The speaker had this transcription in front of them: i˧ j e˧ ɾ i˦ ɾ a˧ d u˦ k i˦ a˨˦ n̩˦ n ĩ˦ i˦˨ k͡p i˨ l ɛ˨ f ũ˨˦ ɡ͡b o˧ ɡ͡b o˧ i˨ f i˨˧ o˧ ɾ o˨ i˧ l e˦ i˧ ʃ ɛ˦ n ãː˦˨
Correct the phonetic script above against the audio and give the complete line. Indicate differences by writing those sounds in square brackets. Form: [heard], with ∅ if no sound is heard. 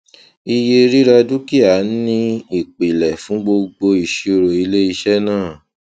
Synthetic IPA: i˧ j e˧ ɾ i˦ ɾ a˧ d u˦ k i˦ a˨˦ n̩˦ n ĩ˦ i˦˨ k͡p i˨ l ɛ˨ f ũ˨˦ ɡ͡b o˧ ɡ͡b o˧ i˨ [ʃ] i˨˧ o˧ ɾ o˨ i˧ l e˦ i˧ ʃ ɛ˦ n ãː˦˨